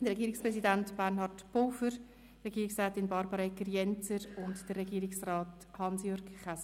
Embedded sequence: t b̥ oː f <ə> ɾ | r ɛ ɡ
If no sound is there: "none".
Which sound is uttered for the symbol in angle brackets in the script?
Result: ə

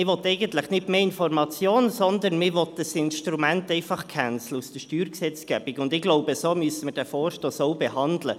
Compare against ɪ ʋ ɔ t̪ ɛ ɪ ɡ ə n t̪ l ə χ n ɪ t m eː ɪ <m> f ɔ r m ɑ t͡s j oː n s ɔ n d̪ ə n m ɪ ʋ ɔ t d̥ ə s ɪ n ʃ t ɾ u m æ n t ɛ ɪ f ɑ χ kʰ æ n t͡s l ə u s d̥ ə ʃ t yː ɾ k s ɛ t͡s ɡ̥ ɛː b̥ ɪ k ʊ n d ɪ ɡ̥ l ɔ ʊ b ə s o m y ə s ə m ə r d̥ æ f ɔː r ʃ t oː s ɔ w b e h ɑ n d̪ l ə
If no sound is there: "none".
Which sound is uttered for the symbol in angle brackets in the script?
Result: n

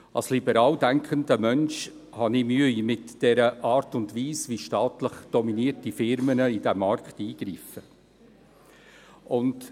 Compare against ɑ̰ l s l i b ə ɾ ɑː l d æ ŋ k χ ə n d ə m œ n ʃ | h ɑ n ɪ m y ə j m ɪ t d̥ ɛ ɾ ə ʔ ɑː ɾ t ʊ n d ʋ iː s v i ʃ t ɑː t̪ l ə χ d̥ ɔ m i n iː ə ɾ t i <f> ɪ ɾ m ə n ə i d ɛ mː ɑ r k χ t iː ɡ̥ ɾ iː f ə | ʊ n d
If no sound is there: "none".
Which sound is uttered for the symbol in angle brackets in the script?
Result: f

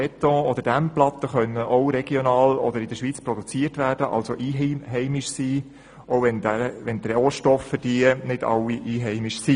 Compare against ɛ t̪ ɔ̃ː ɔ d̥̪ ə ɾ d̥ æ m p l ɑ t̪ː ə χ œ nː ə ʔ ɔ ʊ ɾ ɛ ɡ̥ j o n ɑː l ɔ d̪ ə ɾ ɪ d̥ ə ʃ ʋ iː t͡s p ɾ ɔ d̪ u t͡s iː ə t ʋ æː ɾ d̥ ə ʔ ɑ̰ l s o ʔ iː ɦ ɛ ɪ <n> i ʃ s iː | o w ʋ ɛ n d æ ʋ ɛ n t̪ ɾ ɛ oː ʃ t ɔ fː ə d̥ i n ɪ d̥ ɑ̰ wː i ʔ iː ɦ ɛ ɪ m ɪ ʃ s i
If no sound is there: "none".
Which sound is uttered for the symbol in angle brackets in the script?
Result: m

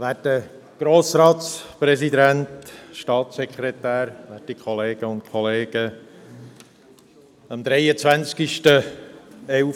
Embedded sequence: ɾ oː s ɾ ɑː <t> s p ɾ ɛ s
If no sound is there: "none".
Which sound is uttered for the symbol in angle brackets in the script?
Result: t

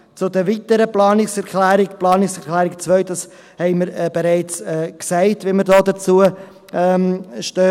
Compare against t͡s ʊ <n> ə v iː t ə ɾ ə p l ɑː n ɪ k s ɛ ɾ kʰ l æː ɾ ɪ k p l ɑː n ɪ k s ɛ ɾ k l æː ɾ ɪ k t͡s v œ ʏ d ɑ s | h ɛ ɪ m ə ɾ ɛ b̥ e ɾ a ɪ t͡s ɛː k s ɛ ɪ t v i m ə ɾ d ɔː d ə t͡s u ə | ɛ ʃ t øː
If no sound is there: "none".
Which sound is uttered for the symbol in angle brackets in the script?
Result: d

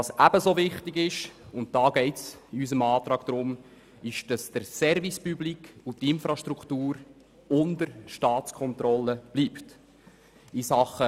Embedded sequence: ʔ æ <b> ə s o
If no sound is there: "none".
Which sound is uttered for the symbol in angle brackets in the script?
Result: b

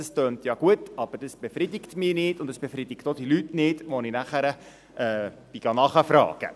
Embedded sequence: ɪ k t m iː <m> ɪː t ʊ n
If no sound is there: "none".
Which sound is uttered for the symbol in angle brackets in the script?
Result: n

